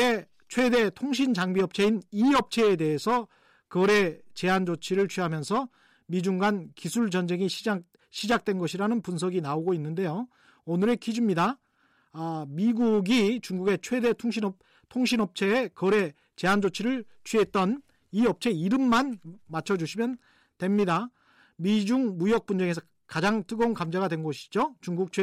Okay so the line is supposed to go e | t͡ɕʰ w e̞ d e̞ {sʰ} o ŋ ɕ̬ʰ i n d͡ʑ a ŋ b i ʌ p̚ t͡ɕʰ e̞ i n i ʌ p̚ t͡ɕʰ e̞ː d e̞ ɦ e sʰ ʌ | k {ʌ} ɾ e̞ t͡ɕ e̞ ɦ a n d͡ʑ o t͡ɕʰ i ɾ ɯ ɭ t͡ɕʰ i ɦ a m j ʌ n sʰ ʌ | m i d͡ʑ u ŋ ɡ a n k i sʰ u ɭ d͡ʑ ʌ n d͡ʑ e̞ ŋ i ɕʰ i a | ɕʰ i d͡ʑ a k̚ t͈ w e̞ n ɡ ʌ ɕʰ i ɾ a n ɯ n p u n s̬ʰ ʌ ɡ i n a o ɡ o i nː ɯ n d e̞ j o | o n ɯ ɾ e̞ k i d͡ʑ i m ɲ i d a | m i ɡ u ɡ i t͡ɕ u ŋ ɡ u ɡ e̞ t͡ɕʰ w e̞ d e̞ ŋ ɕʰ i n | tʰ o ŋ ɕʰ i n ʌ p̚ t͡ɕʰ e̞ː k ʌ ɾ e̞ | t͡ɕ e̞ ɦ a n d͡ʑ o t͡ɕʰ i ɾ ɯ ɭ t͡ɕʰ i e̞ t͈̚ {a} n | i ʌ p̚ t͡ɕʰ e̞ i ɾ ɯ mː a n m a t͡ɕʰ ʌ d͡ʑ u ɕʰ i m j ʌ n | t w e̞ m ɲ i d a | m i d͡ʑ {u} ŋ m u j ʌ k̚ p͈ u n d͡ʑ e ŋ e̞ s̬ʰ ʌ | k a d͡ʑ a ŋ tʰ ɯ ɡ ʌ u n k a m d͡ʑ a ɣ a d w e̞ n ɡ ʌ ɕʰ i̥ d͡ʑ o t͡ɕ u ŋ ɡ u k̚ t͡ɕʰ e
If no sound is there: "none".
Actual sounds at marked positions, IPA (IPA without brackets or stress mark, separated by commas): tʰ, ʌ, ʌ, u